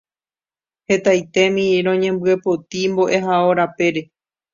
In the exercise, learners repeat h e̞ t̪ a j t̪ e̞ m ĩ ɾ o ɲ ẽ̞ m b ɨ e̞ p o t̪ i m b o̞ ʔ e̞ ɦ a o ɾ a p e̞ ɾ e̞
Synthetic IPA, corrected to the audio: h e̞ t̪ a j t̪ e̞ m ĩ ɾ õ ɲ ẽ̞ m b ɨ e̞ p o t̪ i m b o̞ ʔ e̞ ɦ a o ɾ a p e̞ ɾ e̞